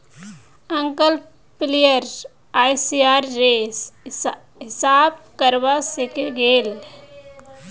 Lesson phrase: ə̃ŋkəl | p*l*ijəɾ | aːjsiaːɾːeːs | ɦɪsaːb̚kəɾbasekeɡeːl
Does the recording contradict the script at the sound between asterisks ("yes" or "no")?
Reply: no